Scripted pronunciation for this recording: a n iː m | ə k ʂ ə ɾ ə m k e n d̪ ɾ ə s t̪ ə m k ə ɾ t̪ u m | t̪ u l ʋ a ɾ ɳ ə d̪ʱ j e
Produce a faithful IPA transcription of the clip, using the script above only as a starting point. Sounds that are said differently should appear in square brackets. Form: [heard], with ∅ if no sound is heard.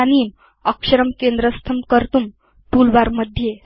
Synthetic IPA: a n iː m | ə k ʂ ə ɾ ə m k e n d̪ ɾ ə s [t̪ʰ] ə m k ə ɾ t̪ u m | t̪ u l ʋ a ɾ [m] ə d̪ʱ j e